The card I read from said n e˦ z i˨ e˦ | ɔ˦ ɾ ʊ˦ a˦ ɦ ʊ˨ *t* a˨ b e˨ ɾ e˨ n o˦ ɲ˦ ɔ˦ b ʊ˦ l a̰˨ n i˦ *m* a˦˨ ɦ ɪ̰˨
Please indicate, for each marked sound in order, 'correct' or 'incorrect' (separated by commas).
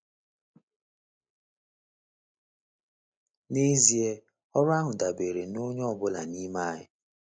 incorrect, correct